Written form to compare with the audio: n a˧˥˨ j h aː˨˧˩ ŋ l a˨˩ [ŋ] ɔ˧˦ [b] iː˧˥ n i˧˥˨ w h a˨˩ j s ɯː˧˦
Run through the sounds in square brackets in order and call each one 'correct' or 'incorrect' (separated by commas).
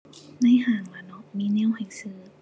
incorrect, incorrect